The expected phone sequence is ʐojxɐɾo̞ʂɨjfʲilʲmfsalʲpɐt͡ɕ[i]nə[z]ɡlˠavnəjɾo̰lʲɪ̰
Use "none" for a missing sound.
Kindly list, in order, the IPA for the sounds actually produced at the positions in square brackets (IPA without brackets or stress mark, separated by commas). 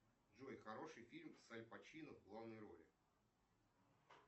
i, v